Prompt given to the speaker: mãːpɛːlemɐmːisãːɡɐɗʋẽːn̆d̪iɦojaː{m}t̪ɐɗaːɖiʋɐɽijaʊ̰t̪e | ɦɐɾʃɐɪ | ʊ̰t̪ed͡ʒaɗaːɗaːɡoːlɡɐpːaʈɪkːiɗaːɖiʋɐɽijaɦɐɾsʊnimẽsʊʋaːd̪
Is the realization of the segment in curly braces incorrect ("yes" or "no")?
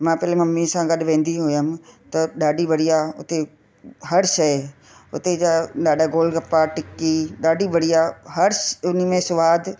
no